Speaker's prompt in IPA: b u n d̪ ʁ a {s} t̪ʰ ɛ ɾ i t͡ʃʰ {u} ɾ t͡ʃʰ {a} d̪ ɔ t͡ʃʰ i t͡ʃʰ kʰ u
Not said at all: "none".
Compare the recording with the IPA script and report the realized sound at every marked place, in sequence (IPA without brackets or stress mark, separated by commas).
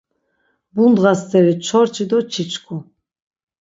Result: s, ɔ, i